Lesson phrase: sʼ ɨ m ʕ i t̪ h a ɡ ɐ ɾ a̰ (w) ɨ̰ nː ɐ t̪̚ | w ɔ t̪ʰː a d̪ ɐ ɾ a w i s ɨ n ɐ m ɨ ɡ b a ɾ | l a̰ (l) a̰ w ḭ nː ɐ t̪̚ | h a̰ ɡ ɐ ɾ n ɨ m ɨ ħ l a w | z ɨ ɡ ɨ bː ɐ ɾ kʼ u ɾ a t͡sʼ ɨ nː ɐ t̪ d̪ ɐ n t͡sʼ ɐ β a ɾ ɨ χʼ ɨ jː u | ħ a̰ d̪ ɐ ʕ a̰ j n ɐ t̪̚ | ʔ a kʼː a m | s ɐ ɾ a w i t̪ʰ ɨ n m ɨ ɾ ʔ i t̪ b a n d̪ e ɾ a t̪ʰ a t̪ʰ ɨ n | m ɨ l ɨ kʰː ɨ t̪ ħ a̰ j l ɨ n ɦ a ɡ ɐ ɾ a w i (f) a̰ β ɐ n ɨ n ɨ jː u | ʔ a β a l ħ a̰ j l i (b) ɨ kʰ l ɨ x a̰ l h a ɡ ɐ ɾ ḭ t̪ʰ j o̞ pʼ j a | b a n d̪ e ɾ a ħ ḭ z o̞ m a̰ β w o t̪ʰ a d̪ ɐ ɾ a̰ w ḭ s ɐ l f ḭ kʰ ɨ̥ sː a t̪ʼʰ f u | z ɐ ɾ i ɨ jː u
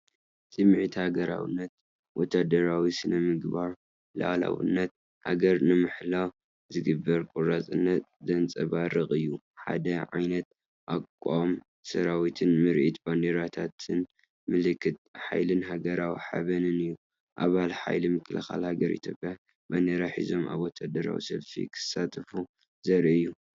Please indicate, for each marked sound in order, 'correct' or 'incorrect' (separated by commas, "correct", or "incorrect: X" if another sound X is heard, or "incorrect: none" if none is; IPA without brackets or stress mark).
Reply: correct, correct, incorrect: ħ, incorrect: m